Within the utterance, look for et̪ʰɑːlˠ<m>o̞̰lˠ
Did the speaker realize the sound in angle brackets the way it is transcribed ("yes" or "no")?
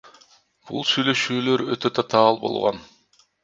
no